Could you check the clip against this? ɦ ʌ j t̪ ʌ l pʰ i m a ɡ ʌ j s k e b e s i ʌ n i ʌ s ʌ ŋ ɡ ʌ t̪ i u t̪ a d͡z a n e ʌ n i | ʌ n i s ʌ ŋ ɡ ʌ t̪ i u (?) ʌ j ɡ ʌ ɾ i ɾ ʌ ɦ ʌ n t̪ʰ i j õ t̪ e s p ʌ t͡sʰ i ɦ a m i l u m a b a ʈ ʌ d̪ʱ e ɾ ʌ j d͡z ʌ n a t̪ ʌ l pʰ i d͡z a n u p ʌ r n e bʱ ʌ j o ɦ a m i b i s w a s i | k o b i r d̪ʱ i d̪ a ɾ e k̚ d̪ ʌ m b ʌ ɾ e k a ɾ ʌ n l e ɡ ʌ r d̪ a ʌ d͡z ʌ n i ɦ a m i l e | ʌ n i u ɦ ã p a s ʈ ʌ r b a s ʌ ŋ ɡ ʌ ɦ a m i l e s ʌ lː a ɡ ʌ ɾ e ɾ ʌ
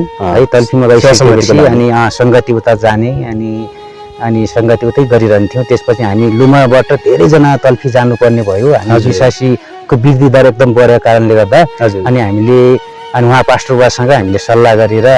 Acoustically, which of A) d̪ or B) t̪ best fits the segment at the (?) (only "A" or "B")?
B